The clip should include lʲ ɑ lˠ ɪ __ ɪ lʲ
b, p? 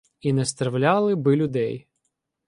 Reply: b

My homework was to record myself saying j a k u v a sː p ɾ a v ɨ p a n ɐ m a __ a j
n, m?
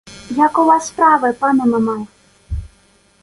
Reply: m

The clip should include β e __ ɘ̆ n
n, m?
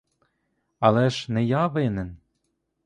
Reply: n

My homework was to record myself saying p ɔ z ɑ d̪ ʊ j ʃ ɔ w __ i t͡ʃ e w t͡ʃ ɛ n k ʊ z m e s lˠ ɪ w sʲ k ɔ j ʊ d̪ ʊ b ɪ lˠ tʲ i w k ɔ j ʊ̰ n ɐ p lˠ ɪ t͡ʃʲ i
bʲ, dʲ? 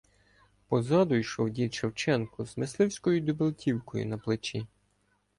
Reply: dʲ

